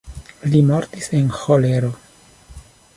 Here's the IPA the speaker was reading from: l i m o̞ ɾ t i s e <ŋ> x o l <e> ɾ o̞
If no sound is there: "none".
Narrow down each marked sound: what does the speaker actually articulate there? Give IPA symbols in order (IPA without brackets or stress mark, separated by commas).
n, e